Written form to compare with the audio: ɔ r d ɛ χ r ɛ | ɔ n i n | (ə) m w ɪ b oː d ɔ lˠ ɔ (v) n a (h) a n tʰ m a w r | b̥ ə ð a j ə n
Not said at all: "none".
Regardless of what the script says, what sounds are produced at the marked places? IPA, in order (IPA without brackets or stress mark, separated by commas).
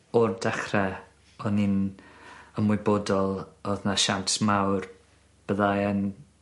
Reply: ə, ð, ʃ